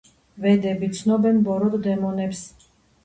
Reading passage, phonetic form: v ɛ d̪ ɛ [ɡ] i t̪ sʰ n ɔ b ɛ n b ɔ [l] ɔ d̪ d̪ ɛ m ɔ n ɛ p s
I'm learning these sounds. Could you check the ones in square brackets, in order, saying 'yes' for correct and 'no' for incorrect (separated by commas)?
no, no